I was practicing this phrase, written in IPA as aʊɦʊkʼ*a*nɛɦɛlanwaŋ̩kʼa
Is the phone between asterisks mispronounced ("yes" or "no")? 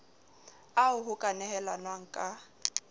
no